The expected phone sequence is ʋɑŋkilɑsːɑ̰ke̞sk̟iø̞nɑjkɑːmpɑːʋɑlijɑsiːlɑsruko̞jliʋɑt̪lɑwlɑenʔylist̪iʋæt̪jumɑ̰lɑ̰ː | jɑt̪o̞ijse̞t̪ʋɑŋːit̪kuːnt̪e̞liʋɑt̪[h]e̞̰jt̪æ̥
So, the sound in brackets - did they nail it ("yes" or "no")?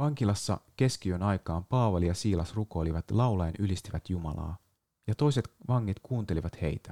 yes